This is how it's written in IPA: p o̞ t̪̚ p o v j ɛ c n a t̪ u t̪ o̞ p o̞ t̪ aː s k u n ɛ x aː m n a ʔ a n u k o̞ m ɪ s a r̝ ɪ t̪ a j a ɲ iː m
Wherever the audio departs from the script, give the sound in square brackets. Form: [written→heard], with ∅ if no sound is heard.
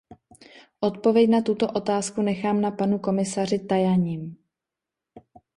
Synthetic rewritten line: [p→ʔ] o̞ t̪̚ p o v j ɛ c n a t̪ u t̪ o̞ [p→ʔ] o̞ t̪ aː s k u n ɛ x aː m n a [ʔ→p] a n u k o̞ m ɪ s a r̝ ɪ t̪ a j a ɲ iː m